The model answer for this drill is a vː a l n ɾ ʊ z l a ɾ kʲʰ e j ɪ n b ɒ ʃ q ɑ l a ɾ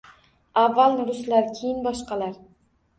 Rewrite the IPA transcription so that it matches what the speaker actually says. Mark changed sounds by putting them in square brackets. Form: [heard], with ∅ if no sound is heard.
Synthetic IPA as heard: a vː a l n ɾ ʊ [s] l a ɾ kʲʰ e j ɪ n b ɒ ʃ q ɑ l a ɾ